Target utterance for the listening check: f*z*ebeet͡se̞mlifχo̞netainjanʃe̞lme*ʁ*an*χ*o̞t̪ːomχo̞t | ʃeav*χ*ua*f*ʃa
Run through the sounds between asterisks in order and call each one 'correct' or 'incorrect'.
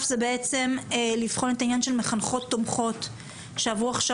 correct, incorrect, correct, incorrect, incorrect

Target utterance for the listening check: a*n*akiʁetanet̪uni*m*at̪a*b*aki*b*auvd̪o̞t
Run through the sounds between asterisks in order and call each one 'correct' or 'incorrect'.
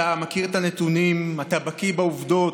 incorrect, correct, correct, correct

